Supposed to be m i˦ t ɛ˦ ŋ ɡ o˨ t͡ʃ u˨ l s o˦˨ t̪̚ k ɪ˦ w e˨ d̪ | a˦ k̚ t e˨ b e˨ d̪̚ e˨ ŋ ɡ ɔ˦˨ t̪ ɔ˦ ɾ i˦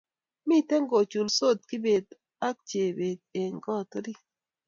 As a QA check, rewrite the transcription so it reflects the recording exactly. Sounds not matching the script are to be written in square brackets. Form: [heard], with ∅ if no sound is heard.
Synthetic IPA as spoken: m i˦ t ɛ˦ ŋ ɡ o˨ t͡ʃ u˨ l s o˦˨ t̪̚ k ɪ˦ [b] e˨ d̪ | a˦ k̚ [t͡ʃ] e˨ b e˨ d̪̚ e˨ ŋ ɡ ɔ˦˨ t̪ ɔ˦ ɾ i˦

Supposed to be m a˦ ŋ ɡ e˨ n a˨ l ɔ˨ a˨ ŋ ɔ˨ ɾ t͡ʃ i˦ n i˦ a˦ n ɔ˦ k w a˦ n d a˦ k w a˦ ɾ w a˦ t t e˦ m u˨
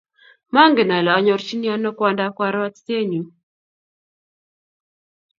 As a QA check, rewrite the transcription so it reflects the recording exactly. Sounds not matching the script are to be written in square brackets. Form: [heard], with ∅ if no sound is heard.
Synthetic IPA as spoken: m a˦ ŋ ɡ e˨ n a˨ l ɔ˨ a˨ [ɲ] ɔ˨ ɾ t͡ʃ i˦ n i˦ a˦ n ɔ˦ k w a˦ n d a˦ k w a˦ ɾ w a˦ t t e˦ [ɲ] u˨

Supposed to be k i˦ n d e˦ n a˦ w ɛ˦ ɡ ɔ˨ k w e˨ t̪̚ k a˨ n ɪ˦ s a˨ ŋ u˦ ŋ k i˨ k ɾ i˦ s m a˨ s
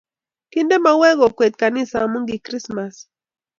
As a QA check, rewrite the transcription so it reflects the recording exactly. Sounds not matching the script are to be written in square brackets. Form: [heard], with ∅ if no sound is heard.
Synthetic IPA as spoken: k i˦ n d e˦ [m] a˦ w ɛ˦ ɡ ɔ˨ k w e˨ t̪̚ k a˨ n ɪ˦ s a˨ [m] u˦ ŋ [ɡ] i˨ k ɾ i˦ s m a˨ s

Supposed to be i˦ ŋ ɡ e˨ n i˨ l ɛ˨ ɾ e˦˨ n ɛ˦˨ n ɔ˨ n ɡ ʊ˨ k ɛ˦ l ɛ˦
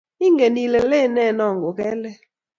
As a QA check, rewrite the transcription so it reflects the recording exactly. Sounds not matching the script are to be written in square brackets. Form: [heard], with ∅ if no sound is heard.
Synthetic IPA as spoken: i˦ ŋ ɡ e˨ n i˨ l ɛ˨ [l] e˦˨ n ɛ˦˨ n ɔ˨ [ŋ] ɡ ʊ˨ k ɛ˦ l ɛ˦

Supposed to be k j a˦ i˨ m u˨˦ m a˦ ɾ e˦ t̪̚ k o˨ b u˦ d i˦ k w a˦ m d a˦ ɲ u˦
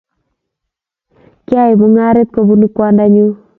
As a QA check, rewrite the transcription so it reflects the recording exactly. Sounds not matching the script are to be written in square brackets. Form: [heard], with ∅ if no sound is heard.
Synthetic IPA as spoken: k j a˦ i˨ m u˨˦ [ŋ] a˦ ɾ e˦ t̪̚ k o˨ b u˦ [n] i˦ k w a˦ [n] d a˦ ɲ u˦

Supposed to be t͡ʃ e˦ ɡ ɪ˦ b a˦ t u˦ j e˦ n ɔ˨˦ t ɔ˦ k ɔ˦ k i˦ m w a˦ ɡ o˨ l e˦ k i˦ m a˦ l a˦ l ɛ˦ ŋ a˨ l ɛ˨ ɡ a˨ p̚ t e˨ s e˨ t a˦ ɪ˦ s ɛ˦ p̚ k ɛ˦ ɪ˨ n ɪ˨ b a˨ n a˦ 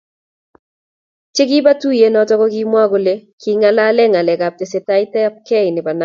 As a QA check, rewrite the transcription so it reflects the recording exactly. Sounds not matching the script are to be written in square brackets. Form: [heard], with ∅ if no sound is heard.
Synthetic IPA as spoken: t͡ʃ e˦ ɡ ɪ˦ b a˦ t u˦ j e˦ n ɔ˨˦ t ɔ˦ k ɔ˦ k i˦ m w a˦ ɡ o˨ l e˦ k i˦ [ŋ] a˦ l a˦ l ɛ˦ ŋ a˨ l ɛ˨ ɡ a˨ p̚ t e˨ s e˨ t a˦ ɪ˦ [t] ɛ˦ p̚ k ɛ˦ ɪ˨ n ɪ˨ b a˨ n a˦

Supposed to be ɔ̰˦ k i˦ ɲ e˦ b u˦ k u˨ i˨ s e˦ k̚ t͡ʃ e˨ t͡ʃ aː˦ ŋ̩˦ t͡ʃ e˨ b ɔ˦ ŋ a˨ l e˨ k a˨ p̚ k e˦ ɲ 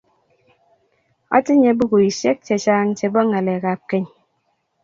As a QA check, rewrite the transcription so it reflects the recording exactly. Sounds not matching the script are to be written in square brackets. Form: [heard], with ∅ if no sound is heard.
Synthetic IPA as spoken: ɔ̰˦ [t] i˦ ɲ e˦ b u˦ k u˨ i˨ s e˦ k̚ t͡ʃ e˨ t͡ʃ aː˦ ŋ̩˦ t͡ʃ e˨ b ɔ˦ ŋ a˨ l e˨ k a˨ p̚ k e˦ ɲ

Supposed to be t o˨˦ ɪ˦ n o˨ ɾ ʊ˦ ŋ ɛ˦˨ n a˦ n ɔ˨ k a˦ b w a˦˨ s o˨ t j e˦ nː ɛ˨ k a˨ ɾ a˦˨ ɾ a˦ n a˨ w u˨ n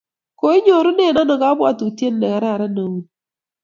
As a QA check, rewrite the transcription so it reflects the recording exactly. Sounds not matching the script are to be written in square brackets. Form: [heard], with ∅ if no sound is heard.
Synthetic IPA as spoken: [k] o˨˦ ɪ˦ [ɲ] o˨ ɾ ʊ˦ [n] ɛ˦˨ n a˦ n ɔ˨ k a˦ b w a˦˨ [t] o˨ t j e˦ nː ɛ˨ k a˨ ɾ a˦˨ ɾ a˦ n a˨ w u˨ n

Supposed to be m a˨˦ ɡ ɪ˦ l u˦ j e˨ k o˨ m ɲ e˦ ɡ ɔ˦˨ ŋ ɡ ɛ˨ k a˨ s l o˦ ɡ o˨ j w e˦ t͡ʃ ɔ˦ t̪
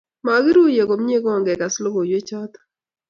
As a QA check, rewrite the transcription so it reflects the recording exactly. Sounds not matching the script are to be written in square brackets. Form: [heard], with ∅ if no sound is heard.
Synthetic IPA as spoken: m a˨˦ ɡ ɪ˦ [ɾ] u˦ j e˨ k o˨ m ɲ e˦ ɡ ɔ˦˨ ŋ ɡ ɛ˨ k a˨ s l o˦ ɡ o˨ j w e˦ t͡ʃ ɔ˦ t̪

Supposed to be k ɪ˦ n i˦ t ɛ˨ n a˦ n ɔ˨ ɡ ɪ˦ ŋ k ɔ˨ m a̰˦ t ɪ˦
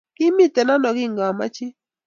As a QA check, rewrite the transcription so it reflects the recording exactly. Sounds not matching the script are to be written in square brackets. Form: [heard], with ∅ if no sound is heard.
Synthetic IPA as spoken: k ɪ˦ [m] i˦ t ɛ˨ n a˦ n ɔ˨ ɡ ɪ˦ ŋ [ɡ] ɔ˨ m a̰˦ [t͡ʃ] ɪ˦

